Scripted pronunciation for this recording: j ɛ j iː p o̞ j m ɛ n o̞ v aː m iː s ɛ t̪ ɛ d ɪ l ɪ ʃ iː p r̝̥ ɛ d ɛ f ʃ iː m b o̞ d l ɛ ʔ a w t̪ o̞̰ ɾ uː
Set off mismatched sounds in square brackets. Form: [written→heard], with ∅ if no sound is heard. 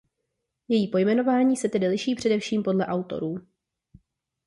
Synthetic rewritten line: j ɛ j iː p o̞ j m ɛ n o̞ v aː [m→ɲ] iː s ɛ t̪ ɛ d ɪ l ɪ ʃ iː p r̝̥ ɛ d ɛ f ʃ iː m [b→p] o̞ d l ɛ ʔ a w t̪ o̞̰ ɾ uː